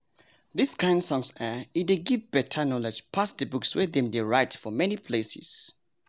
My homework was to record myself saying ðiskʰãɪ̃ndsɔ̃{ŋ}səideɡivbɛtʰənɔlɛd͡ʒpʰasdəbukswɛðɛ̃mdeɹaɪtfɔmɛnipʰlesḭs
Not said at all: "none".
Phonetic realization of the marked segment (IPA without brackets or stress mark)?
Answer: ŋ